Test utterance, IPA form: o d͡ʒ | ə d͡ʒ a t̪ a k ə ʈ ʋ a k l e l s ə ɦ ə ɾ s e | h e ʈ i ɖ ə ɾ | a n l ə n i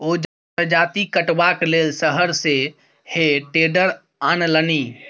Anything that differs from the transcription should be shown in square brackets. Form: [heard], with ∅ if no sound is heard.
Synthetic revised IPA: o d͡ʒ | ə d͡ʒ a t̪ [i] k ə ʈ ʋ a k l e l s ə ɦ ə ɾ s e | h e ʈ [e] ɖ ə ɾ | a n l ə n i

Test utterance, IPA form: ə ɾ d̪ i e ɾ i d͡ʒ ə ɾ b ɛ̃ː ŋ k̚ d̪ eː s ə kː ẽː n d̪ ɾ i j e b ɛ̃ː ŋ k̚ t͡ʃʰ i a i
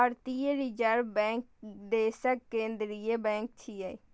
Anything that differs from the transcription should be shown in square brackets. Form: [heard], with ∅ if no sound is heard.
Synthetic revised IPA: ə ɾ [t̪] i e ɾ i d͡ʒ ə ɾ b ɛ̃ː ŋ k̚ d̪ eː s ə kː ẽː n d̪ ɾ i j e b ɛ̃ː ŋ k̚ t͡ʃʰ i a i

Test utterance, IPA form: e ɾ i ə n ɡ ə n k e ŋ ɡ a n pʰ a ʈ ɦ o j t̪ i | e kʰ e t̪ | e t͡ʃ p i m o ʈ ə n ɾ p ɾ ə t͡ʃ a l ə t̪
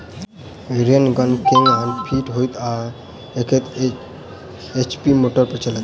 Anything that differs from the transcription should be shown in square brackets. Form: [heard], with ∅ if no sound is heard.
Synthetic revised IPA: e ɾ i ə n ɡ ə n k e ŋ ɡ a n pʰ [i] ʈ ɦ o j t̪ [a] | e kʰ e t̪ | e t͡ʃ p i m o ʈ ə [∅] ɾ p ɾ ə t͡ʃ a l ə t̪

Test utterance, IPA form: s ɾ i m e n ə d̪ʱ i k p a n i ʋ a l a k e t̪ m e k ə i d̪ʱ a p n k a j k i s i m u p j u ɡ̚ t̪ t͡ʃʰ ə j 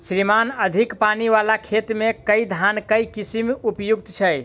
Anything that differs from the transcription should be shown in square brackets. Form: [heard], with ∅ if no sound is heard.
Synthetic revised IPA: s ɾ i m [a] n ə d̪ʱ i k p a n i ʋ a l a [kʰ] e t̪ m e k ə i d̪ʱ a [∅] n k [ə] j k i s i m u p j u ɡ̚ t̪ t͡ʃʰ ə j

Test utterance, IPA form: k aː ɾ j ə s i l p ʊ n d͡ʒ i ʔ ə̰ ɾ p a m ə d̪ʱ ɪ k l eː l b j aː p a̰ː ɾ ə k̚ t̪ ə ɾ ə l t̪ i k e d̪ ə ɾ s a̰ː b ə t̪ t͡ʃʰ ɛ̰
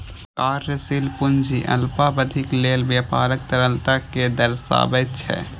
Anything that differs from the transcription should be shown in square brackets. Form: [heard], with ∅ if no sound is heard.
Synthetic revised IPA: k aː ɾ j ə s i l p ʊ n d͡ʒ i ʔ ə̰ [l] p a [b] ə d̪ʱ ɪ k l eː l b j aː p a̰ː ɾ ə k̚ t̪ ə ɾ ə l t̪ [a] k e d̪ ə ɾ s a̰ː b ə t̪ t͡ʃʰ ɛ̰

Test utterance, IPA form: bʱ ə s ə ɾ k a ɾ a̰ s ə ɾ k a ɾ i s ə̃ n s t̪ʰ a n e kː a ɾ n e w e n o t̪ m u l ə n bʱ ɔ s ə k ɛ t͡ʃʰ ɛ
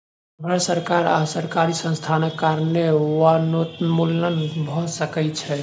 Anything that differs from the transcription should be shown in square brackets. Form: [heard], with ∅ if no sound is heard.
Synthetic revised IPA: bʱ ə s ə ɾ k a ɾ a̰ s ə ɾ k a ɾ i s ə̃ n s t̪ʰ a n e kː a ɾ n e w [a] n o t̪ m u l ə n bʱ ɔ s ə k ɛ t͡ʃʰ ɛ

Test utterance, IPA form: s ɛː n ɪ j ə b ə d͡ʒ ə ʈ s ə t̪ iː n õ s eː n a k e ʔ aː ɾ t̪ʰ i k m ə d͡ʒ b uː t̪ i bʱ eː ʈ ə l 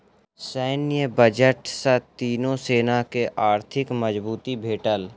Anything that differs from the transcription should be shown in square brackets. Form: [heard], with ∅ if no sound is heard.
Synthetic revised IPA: s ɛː n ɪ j ə b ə d͡ʒ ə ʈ s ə t̪ iː n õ s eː n a k e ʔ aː ɾ t̪ʰ [ɪ] k m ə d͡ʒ b uː t̪ i bʱ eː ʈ ə l

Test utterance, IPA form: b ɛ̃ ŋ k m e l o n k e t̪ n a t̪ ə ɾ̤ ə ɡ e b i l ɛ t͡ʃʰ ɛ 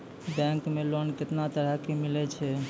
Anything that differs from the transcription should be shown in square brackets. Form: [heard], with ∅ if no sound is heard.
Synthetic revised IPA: b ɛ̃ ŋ k m e l o n k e t̪ n a t̪ ə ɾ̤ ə [k] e [m] i l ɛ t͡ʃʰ ɛ

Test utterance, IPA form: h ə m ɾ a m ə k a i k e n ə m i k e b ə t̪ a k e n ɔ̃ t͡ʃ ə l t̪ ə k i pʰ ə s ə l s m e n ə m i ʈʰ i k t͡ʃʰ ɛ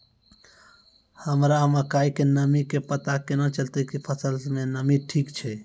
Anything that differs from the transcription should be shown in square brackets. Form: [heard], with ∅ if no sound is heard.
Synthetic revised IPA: h ə m ɾ a m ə k a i k e n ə m i k e [p] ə t̪ a k e n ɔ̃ t͡ʃ ə l t̪ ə k i pʰ ə s ə l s m e n ə m i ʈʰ i k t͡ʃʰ ɛ

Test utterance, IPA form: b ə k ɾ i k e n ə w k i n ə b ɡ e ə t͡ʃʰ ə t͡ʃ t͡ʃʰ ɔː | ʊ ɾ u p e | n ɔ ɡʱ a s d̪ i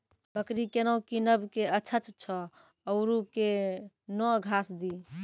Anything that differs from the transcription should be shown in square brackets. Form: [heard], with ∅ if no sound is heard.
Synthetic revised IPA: b ə k ɾ i k e n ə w k i n ə b [k] e ə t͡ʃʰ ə t͡ʃ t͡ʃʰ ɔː | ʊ ɾ u [k] e | n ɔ ɡʱ a s d̪ i

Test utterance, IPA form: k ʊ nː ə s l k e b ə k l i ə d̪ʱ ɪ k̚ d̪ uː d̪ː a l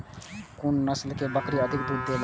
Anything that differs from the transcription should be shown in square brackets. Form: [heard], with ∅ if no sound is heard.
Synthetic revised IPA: k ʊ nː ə s l k e b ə k [ɾ] i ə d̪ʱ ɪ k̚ d̪ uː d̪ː [e] l

